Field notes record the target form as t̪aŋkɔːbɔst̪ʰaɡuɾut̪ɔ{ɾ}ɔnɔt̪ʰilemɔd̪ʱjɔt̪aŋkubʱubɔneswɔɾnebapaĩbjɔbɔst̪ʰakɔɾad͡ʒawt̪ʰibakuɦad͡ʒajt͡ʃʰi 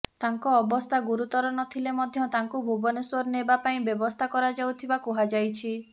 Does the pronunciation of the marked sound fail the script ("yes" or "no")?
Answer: no